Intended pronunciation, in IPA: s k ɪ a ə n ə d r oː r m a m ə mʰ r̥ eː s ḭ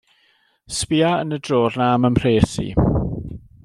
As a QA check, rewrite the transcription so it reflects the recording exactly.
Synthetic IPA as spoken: s p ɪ a ə n ə d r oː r n a m ə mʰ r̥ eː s ḭ